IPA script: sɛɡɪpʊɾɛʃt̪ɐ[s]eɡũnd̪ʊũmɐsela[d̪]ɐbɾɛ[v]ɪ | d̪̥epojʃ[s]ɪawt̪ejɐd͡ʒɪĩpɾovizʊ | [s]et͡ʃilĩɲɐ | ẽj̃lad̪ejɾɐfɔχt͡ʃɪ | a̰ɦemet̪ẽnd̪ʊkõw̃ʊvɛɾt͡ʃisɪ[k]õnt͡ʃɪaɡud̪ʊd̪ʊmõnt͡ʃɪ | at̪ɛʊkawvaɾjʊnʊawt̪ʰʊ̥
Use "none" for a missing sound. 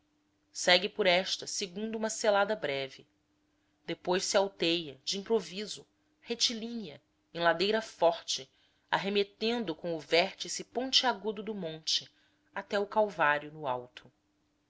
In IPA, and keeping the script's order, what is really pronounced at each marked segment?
s, d̪, v, s, h, p

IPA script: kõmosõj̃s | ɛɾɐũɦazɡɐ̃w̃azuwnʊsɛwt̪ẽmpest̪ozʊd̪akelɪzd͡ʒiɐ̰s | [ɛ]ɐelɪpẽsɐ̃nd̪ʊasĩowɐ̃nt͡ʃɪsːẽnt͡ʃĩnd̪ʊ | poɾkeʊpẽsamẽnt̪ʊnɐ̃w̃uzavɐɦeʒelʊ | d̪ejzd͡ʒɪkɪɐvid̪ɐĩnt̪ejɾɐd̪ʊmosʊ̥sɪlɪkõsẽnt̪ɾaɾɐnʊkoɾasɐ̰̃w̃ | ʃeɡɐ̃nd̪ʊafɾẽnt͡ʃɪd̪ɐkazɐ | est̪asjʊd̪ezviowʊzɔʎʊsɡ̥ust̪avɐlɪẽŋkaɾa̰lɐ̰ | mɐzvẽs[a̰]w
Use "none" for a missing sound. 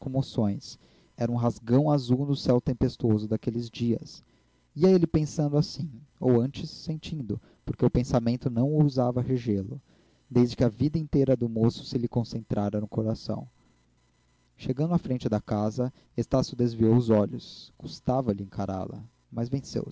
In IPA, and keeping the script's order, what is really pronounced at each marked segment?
i, ḛ

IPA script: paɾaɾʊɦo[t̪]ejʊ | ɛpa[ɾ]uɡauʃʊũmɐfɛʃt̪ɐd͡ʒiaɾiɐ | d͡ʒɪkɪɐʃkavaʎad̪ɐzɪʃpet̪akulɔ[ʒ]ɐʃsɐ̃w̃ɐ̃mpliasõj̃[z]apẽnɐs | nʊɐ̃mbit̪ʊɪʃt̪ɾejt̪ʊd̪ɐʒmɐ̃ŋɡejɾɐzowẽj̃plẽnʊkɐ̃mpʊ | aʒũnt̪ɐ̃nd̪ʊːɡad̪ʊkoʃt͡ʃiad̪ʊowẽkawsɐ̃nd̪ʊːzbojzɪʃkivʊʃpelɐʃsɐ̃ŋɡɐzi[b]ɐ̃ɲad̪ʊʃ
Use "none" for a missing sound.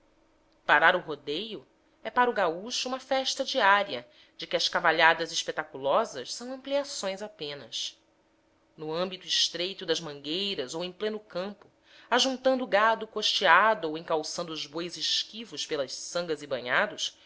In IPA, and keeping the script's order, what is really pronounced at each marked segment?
d̪, ɾ, z, z, b

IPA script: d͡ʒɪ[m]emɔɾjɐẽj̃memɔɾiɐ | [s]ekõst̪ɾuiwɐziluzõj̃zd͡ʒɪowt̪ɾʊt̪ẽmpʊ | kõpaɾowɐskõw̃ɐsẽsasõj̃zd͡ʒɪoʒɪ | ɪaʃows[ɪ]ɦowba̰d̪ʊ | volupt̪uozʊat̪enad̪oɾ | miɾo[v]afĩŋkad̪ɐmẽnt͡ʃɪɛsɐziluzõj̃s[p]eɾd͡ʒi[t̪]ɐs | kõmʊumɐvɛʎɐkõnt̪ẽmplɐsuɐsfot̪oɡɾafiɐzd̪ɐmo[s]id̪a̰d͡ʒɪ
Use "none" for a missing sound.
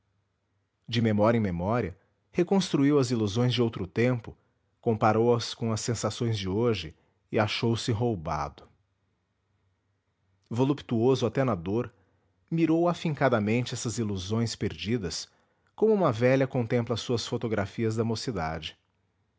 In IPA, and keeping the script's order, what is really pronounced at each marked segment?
m, h, ɪ, w, p, d̪, s

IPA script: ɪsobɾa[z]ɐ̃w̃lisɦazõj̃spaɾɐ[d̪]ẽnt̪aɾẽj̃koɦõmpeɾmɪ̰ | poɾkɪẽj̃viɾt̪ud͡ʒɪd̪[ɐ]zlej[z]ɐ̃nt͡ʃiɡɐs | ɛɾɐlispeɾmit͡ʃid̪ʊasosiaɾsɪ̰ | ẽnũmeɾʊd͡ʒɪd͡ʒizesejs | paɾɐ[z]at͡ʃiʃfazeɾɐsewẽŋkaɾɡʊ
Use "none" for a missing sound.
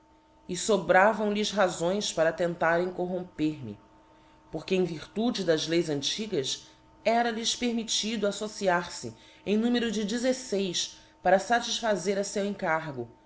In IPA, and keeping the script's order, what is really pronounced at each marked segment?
v, t̪, ɐ, z, s

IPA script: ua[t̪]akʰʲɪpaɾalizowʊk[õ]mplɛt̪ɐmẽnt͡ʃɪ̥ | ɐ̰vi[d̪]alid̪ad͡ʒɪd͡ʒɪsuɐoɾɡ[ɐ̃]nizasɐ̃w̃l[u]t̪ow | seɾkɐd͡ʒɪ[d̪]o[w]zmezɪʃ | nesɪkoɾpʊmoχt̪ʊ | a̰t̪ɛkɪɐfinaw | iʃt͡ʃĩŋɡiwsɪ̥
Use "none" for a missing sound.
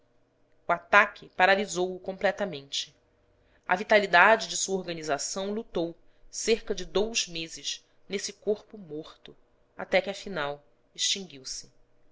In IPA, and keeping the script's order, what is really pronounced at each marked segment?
t̪, õ, t̪, ɐ, u, d̪, w

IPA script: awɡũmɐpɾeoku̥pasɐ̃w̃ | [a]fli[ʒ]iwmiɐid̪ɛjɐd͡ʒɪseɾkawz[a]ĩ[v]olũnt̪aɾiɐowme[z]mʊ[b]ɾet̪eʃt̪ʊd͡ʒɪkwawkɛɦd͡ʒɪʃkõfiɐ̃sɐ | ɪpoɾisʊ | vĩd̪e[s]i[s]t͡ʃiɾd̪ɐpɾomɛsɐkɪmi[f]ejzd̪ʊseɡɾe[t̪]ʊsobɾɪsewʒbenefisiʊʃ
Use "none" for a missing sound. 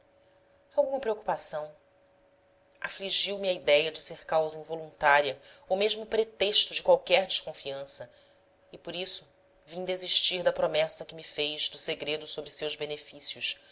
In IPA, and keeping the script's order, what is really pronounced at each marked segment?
a, ʒ, ɐ, v, ʒ, p, z, ʃ, f, d̪

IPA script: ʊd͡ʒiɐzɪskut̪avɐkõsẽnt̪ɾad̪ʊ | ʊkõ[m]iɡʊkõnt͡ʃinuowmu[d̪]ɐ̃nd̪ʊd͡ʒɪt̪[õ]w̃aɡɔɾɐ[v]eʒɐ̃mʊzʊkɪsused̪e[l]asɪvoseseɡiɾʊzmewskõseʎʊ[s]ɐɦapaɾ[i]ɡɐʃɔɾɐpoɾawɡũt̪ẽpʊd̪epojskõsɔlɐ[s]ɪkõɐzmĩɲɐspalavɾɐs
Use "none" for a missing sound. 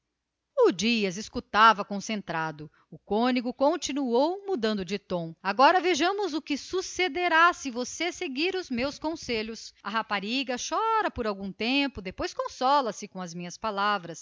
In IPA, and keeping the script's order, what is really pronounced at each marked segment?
n, d̪, õ, v, ɾ, s, i, s

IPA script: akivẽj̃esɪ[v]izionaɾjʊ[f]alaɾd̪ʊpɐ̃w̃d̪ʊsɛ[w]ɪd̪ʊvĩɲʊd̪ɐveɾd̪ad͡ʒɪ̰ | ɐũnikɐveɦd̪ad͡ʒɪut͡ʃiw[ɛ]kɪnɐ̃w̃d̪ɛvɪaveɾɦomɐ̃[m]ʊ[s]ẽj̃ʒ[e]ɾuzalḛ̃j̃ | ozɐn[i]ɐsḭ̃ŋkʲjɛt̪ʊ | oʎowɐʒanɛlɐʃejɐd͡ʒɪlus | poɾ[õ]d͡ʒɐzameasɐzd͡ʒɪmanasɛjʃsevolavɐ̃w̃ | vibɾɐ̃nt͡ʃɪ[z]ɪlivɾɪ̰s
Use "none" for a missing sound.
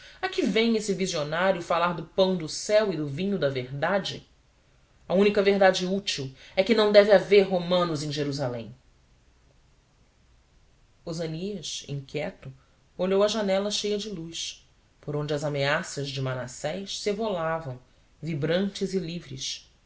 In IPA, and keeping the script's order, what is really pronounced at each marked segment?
v, f, w, ɛ, n, z, e, i, õ, z

